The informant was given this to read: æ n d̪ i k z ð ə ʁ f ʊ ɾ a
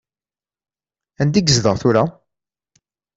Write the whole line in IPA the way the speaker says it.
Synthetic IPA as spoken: æ n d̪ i ɡ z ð ə ʁ θ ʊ ɾ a